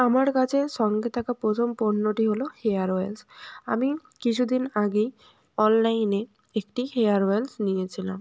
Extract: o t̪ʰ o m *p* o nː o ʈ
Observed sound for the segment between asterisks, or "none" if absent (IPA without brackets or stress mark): p